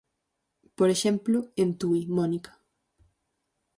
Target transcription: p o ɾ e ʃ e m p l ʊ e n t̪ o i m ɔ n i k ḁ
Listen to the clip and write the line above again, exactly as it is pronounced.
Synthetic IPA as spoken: p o ɾ e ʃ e m p l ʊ e n t̪ u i m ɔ n i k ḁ